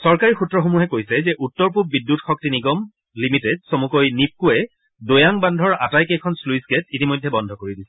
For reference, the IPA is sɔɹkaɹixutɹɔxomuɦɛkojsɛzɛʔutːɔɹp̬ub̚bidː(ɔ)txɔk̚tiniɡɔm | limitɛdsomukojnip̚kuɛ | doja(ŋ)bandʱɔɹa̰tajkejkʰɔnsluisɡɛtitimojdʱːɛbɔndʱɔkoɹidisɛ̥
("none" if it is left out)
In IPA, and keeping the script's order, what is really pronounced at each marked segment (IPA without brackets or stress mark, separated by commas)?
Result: u, ŋ